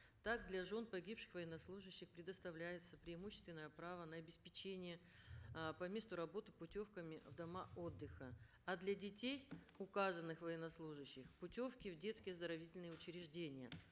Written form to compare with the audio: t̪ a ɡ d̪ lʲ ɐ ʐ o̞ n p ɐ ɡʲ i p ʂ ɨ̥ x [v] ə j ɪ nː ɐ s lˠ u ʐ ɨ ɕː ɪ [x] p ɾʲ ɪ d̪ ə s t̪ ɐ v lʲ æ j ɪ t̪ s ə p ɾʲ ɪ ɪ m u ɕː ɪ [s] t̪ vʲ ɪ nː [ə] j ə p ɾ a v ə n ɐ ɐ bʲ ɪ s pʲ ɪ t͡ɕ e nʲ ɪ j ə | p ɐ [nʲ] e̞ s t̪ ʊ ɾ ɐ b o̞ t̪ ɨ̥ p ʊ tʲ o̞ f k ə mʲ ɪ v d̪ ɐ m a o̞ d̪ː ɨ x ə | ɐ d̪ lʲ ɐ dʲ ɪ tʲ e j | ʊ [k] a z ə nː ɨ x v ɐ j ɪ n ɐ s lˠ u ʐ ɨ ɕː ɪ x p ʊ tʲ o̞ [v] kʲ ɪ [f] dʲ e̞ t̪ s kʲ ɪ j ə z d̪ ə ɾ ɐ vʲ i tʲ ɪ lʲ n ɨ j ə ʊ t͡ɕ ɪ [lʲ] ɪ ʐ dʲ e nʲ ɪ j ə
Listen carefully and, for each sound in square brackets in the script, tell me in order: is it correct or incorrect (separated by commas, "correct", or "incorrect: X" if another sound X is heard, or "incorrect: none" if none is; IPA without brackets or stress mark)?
correct, correct, correct, correct, incorrect: mʲ, correct, incorrect: f, incorrect: v, incorrect: ɾʲ